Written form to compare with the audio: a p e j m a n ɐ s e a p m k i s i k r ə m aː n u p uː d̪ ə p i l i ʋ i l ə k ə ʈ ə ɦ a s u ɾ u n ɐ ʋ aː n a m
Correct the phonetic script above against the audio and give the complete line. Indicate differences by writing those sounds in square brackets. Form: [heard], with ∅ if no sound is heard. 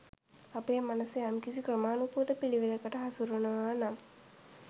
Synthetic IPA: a p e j m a n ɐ s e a [∅] m k i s i k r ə m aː n u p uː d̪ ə p i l i ʋ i l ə k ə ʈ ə ɦ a s u ɾ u n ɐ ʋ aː n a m